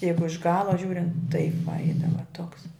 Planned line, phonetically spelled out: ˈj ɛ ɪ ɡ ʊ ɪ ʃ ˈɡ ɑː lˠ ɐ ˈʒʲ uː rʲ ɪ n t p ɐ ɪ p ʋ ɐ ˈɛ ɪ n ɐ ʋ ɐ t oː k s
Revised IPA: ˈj ɛ ɪ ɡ ʊ ɪ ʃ ˈɡ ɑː lˠ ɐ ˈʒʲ uː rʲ ɪ n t t ɐ ɪ p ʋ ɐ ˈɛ ɪ d ɐ ʋ ɐ t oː k s